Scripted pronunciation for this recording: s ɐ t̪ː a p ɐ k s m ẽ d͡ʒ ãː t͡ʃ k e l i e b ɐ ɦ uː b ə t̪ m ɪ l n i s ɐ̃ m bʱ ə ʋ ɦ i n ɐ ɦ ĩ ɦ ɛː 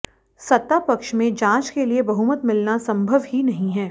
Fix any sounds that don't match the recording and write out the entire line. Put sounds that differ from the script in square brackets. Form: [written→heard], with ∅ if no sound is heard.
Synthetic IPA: s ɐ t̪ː a p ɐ k [s→ʃ] m ẽ d͡ʒ ãː t͡ʃ k e l i e b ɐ ɦ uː [b→m] ə t̪ m ɪ l n [i→a] s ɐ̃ m bʱ ə ʋ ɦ i n ɐ ɦ ĩ ɦ ɛː